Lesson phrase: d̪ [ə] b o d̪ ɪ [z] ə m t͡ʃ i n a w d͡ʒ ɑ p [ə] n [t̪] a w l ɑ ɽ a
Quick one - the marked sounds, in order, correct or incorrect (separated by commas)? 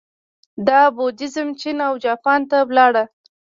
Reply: incorrect, correct, incorrect, correct